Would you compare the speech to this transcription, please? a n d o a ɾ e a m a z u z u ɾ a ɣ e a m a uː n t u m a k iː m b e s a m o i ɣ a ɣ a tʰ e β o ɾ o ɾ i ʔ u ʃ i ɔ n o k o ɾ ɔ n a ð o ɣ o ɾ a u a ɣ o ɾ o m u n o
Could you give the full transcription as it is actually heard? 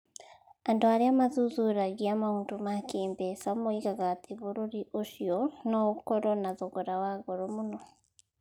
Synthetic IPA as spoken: a n d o a ɾ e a m a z u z u ɾ a ɣ i a m a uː n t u m a k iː m b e s a m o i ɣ a ɣ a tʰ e β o ɾ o ɾ i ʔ o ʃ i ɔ n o k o ɾ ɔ n a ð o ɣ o ɾ a w a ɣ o ɾ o m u n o